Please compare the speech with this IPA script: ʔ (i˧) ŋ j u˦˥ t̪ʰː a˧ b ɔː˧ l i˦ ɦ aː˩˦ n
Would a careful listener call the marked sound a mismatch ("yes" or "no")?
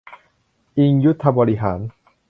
no